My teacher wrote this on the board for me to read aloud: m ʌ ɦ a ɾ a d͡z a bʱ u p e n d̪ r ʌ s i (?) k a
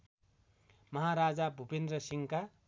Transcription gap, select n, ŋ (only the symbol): ŋ